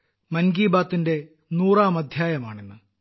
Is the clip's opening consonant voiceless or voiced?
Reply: voiced